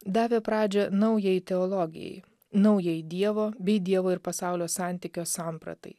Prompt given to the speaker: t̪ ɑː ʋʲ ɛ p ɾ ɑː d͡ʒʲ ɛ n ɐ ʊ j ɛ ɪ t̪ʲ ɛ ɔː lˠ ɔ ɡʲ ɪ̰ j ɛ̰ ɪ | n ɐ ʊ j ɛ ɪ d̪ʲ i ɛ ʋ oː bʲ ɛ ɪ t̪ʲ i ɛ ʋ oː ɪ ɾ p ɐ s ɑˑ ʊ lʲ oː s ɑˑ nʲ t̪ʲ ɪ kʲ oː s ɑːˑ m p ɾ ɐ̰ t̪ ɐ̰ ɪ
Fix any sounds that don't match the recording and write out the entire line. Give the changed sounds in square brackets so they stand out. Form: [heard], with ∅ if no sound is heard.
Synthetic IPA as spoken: [d̪] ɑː ʋʲ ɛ p ɾ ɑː d͡ʒʲ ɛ n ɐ ʊ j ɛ ɪ t̪ʲ ɛ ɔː lˠ ɔ ɡʲ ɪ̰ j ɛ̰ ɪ | n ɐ ʊ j ɛ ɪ d̪ʲ i ɛ ʋ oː bʲ ɛ ɪ [d̪ʲ] i ɛ ʋ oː ɪ ɾ p ɐ s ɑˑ ʊ lʲ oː s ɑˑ nʲ t̪ʲ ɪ kʲ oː s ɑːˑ m p ɾ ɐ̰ t̪ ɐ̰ ɪ